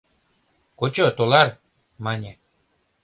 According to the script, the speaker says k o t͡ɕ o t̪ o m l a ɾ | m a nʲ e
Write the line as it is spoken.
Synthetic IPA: k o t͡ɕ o t̪ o l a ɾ | m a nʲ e